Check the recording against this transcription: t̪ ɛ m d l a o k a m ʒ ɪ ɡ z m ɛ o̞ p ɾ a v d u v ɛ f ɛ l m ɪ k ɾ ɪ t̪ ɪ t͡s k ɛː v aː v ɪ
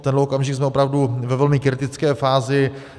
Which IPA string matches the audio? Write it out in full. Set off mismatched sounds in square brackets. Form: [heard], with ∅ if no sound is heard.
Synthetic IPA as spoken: t̪ ɛ [n] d l [ɛ] o k a m ʒ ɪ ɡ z m ɛ o̞ p ɾ a v d u v ɛ [v] ɛ l m ɪ k ɾ ɪ t̪ ɪ t͡s k ɛː [f] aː [z] ɪ